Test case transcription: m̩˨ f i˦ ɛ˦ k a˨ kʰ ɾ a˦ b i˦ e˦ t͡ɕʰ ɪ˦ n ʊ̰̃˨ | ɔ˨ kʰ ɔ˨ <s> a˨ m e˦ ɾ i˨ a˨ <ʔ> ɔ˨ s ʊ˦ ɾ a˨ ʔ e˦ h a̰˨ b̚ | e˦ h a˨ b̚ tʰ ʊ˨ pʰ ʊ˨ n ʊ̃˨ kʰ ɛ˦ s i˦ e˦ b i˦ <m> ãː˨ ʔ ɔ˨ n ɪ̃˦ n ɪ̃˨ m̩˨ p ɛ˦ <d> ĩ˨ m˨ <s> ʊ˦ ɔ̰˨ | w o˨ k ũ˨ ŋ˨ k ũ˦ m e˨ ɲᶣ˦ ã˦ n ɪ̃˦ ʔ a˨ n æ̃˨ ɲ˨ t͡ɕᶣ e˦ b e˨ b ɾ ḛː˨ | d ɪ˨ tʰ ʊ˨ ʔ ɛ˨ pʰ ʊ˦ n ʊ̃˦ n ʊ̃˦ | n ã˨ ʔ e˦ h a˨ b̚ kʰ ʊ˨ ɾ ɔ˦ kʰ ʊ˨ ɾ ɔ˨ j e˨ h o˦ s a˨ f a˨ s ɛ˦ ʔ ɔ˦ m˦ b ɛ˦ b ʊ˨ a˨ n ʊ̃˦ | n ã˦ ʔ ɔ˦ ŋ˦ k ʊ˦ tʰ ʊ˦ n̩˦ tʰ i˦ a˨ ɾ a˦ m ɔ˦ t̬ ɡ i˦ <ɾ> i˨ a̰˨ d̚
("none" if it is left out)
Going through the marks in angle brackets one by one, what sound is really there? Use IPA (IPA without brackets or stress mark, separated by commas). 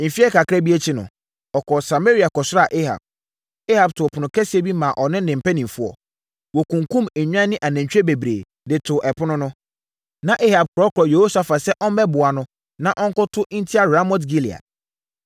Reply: s, k, m, n, f, l